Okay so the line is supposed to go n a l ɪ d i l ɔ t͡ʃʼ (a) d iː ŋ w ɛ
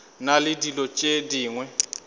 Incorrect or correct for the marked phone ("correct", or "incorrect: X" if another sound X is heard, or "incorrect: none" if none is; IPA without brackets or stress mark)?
incorrect: e